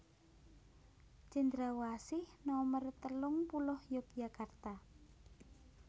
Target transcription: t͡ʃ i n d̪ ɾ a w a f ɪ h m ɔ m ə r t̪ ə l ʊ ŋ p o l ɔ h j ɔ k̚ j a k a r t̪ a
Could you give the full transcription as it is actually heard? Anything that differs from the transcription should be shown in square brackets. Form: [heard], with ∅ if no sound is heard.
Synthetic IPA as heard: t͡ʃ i n d̪ ɾ a w a [s] ɪ h [n] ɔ m ə r t̪ ə l ʊ ŋ p [u] l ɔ h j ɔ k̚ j a k a r t̪ a